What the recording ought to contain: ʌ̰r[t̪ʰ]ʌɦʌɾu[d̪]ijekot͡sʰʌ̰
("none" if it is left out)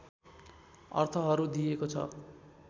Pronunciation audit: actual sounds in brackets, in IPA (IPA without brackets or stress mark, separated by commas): t̪ʰ, d̪